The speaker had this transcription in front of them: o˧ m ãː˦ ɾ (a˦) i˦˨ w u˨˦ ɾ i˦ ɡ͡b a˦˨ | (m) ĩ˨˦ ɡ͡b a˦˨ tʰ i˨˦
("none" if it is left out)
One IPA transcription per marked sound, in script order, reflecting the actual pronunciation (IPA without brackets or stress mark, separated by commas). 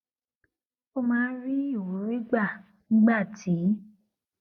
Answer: i˦, n